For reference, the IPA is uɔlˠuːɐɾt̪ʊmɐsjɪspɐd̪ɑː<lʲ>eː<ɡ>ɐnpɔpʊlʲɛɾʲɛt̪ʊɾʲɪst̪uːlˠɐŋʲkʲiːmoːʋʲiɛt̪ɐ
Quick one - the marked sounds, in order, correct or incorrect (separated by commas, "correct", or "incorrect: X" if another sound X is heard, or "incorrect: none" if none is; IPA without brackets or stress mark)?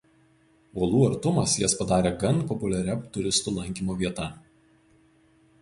incorrect: ɾʲ, correct